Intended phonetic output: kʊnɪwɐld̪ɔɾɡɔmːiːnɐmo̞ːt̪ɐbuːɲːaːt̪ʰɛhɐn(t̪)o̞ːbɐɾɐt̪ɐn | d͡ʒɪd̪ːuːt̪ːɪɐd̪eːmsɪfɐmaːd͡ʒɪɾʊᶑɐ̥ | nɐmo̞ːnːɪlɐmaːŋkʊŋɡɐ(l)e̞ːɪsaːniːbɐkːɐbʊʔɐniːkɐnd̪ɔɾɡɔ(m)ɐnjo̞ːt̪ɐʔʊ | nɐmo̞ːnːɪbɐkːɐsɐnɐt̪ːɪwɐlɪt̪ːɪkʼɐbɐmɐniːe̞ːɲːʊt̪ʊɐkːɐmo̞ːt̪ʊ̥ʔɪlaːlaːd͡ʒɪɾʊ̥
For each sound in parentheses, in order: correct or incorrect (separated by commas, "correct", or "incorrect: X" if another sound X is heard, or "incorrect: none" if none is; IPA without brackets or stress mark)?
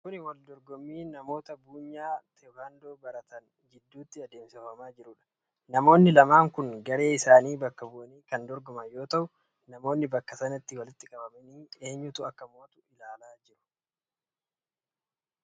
incorrect: d̪, incorrect: ɾ, correct